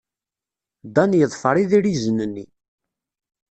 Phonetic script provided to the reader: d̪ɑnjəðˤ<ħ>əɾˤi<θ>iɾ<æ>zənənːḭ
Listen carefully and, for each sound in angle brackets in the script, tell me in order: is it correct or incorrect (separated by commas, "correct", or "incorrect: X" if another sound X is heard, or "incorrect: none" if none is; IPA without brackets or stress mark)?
incorrect: f, incorrect: ð, incorrect: i